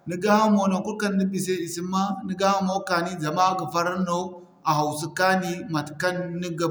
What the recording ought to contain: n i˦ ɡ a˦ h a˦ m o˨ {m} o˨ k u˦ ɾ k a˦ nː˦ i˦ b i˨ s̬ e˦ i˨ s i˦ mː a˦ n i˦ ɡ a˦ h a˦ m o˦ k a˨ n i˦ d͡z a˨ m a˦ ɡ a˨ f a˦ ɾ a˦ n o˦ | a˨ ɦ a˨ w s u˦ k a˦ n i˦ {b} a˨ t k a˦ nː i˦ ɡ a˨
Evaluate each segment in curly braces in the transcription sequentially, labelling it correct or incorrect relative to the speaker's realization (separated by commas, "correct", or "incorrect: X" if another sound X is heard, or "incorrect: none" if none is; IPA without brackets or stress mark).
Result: incorrect: n, incorrect: m